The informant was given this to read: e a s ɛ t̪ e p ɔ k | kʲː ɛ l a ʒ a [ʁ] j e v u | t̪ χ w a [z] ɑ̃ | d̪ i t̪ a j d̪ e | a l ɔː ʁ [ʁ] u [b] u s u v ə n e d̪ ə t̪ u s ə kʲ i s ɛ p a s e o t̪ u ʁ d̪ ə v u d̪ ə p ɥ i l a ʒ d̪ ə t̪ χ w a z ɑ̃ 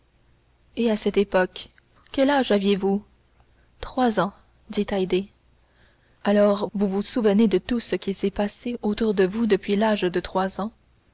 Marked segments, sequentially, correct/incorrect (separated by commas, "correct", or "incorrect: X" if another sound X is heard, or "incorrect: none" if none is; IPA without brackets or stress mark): incorrect: v, correct, incorrect: v, incorrect: v